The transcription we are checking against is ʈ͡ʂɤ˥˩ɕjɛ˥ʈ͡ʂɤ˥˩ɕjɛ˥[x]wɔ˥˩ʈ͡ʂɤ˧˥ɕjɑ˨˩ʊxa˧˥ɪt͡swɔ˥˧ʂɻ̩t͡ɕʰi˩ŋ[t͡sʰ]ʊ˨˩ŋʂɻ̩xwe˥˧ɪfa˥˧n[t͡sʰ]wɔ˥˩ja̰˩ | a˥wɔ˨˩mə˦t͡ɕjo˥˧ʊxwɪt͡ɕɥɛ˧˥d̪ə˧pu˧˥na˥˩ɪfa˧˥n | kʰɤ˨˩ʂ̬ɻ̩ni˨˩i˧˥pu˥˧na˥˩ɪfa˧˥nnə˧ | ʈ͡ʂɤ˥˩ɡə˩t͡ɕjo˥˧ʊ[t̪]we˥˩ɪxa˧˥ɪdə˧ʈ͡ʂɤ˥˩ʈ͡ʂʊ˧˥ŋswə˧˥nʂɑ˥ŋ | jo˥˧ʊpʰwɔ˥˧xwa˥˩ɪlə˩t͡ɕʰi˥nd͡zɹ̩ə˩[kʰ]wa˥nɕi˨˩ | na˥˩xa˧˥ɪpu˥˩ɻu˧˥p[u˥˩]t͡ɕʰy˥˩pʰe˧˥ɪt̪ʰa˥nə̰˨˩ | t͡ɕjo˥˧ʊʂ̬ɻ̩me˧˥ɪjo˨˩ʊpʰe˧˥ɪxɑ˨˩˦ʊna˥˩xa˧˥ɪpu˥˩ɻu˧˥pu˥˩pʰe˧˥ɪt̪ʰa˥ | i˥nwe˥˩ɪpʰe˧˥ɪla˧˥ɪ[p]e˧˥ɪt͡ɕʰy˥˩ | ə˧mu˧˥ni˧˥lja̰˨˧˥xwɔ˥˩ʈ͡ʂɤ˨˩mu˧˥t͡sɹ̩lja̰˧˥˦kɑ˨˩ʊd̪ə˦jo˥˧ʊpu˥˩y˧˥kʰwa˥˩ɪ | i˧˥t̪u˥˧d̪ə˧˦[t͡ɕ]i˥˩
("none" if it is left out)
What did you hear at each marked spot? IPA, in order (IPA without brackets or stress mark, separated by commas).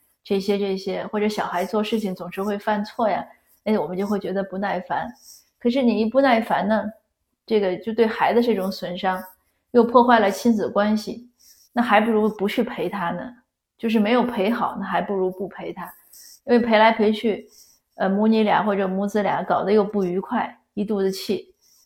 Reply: x, t͡s, t͡sʰ, t̪, k, u˧˥, pʰ, t͡ɕʰ